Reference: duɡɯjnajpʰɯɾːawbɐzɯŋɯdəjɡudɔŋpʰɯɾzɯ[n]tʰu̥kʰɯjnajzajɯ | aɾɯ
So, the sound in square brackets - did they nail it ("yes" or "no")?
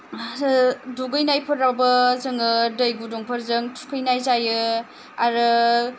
no